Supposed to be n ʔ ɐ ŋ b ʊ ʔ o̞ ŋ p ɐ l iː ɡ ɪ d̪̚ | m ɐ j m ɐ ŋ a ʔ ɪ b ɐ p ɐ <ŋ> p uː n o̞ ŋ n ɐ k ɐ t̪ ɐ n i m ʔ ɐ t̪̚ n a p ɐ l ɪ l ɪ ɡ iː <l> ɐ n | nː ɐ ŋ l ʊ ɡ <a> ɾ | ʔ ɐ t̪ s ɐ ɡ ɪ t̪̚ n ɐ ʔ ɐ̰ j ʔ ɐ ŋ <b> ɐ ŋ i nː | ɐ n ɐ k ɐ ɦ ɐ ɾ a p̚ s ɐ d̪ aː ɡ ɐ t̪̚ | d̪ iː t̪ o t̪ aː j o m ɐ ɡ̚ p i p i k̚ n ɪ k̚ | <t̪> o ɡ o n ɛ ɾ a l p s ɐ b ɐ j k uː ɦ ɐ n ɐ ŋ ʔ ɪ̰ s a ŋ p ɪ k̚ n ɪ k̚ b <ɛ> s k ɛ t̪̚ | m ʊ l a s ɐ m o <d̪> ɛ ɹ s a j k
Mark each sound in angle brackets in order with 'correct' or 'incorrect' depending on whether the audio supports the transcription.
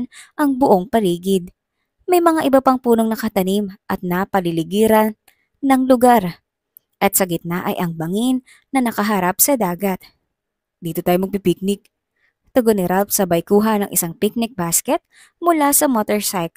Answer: correct, incorrect: ɾ, correct, correct, correct, incorrect: a, incorrect: t̪

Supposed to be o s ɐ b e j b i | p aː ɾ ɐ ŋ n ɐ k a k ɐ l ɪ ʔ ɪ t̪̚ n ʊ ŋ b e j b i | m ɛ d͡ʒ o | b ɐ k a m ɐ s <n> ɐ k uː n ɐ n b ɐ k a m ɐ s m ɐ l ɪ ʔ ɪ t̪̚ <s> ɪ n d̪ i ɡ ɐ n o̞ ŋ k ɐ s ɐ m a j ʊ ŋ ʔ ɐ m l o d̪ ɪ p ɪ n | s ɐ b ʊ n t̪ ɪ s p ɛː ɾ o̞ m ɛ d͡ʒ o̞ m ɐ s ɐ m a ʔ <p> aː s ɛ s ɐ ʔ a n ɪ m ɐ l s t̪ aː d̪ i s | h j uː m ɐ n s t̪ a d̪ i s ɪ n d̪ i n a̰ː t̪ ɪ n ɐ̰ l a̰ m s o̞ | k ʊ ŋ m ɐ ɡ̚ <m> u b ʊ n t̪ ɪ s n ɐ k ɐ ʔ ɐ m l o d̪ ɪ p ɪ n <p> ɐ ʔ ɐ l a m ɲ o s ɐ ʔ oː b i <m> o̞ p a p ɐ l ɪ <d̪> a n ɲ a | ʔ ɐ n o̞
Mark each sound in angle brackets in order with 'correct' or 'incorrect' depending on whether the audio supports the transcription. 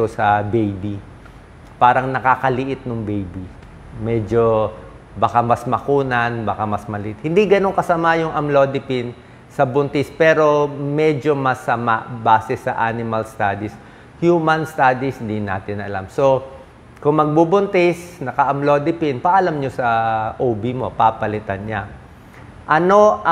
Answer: incorrect: m, incorrect: h, incorrect: b, incorrect: b, correct, correct, incorrect: t̪

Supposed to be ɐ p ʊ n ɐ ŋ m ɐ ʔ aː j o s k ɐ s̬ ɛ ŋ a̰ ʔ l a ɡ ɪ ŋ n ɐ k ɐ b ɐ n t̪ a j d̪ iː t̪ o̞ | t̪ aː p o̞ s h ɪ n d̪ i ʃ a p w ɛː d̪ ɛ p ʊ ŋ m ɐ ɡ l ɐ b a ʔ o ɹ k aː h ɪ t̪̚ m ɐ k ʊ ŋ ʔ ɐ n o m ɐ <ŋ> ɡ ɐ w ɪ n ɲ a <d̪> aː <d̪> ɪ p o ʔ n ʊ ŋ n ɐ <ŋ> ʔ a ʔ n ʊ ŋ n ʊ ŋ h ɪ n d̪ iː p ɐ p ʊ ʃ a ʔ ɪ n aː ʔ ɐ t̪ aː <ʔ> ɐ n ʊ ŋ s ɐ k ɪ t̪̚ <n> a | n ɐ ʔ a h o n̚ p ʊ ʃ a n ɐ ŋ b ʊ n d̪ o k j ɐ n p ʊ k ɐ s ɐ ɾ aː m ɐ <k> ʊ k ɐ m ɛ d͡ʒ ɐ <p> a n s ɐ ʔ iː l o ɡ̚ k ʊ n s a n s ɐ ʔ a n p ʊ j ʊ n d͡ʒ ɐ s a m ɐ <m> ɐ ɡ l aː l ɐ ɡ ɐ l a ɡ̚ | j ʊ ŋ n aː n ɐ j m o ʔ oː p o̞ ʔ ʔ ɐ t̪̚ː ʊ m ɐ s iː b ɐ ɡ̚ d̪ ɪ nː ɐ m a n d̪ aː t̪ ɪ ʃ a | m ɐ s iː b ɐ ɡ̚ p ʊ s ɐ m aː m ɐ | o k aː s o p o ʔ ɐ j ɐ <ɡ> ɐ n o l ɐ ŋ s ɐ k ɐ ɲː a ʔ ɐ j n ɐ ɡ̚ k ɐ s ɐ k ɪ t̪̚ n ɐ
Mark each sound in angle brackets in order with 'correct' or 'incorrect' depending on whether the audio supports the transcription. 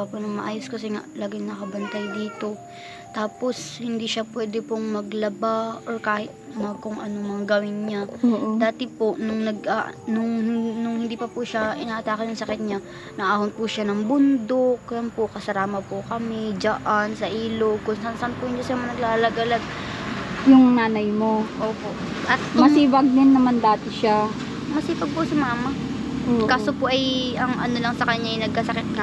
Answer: correct, correct, incorrect: t̪, incorrect: ɡ, incorrect: k, incorrect: ɲ, incorrect: p, incorrect: ʔ, incorrect: n, incorrect: ŋ

